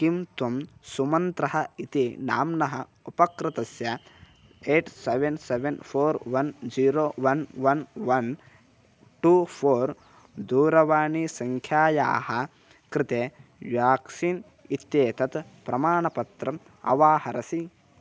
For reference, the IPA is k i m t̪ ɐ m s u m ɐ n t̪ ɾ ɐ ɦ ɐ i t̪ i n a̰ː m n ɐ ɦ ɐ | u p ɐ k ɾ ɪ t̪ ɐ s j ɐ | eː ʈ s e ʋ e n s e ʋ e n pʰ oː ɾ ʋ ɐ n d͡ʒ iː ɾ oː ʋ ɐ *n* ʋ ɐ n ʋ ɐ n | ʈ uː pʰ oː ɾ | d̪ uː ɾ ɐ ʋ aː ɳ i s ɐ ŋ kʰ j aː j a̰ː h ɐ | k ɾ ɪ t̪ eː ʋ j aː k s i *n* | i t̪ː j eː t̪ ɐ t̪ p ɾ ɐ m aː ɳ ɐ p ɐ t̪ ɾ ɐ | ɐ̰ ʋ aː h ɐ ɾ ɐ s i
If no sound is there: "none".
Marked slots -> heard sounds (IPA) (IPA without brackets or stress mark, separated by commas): n, n